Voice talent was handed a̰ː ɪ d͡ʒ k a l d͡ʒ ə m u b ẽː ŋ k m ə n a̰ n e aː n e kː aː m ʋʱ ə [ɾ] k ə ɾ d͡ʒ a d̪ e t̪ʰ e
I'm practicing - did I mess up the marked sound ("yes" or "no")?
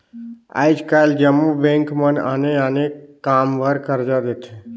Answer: no